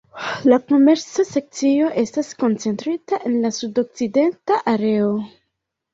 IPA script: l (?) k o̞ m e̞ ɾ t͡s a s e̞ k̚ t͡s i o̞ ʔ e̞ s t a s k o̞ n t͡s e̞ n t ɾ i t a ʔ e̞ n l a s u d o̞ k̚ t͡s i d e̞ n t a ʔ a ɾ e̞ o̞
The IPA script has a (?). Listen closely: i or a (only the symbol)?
a